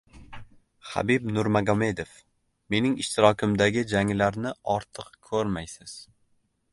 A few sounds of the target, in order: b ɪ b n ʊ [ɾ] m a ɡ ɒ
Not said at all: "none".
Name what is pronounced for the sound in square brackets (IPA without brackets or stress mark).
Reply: ɾ